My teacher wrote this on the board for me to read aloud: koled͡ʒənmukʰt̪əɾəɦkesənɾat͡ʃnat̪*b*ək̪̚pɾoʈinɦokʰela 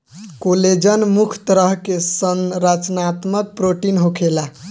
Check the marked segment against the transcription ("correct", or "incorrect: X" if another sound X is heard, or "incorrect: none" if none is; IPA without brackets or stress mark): incorrect: m